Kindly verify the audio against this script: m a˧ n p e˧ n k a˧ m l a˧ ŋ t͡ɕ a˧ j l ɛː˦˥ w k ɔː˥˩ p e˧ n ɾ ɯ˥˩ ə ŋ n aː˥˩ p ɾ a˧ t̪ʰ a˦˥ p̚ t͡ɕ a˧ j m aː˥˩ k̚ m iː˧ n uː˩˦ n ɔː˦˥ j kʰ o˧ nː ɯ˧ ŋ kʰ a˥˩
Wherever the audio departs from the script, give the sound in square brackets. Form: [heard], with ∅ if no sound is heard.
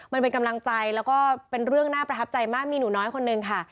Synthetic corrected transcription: m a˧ n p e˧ n k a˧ m l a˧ ŋ t͡ɕ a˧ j l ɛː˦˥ w k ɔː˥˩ p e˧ n ɾ ɯ˥˩ ə ŋ n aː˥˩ p ɾ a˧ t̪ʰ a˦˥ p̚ t͡ɕ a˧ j m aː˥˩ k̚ m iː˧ n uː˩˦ n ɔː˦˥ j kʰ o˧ nː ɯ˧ ŋ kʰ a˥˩